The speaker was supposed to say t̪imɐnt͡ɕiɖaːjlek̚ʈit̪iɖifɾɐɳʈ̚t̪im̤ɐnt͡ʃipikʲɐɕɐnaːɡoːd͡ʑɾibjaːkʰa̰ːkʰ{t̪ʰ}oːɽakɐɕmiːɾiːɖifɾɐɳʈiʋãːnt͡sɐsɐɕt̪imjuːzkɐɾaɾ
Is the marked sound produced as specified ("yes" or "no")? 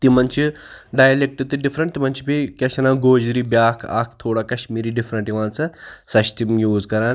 yes